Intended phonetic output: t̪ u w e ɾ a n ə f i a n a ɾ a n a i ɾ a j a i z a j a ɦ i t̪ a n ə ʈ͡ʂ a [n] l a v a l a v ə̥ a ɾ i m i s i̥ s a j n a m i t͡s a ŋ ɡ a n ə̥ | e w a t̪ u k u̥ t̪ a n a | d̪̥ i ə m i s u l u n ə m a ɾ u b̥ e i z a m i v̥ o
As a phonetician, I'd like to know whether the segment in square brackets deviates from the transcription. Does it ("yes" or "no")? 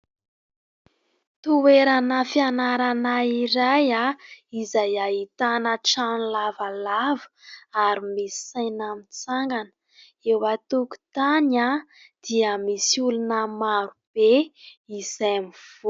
no